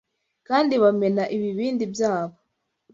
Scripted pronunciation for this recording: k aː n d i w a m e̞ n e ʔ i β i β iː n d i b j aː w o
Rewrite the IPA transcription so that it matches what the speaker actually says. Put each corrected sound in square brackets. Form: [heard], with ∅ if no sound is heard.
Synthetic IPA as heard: k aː n d i [β] a m e̞ n [a] ʔ i β i β iː n d i b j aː [β] o